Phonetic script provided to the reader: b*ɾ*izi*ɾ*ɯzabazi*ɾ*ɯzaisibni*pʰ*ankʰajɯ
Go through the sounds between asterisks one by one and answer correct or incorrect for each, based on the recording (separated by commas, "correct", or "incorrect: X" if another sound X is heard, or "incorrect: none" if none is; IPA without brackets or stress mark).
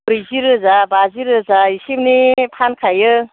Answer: correct, correct, correct, correct